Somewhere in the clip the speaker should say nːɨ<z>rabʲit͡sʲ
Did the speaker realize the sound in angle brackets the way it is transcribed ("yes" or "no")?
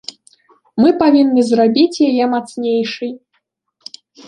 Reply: yes